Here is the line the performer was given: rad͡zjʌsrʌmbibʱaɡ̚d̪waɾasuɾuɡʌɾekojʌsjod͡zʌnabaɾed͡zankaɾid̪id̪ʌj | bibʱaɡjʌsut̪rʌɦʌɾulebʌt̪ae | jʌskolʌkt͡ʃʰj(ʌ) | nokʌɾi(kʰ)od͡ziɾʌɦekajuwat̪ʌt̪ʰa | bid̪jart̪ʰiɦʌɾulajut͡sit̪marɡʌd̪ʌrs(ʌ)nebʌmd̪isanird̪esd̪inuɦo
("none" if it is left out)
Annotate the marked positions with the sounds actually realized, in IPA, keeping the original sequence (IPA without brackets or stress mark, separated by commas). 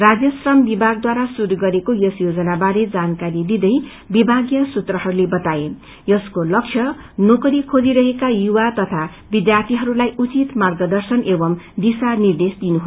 ʌ, kʰ, ʌ